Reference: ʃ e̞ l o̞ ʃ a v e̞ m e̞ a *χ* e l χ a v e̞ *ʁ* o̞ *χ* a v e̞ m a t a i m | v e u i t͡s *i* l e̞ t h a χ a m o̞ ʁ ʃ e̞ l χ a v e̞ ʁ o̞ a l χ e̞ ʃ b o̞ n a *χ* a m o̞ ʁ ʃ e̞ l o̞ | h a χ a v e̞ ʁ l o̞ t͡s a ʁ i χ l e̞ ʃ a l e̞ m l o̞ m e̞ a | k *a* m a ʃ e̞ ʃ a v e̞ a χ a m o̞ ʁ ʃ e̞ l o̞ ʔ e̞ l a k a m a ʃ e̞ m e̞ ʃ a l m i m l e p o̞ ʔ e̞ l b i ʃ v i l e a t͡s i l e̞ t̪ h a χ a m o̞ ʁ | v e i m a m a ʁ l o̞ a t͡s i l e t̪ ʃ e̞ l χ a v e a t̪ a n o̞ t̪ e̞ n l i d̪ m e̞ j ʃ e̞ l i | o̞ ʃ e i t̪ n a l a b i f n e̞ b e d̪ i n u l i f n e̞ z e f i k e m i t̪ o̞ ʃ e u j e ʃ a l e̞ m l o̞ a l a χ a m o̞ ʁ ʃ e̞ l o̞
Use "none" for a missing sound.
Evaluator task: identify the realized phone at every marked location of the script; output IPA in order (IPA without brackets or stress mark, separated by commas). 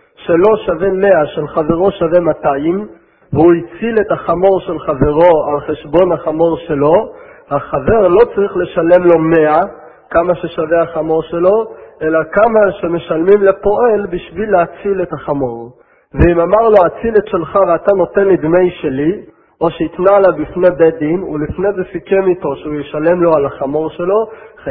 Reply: ʃ, ʁ, ʃ, i, χ, a